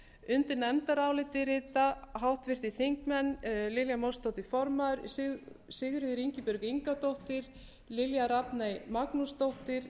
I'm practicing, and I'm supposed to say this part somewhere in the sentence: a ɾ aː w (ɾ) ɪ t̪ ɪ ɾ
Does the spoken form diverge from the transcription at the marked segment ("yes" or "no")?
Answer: yes